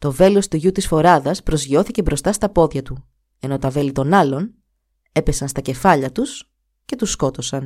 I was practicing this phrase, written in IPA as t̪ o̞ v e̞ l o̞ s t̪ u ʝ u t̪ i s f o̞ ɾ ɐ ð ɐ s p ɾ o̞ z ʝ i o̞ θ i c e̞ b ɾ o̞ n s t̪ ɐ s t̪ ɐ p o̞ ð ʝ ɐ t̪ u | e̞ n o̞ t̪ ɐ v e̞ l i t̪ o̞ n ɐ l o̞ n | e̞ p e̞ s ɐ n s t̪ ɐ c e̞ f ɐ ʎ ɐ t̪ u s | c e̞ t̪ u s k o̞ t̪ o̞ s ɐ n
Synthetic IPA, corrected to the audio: t̪ o̞ v e̞ l o̞ s t̪ u ʝ u t̪ i s f o̞ ɾ ɐ ð ɐ s p ɾ o̞ z ʝ i o̞ θ i c e̞ b ɾ o̞ s t̪ ɐ s t̪ ɐ p o̞ ð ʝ ɐ t̪ u | e̞ n o̞ t̪ ɐ v e̞ l i t̪ o̞ n ɐ l o̞ n | e̞ p e̞ s ɐ n s t̪ ɐ c e̞ f ɐ ʎ ɐ t̪ u s | c e̞ t̪ u s k o̞ t̪ o̞ s ɐ n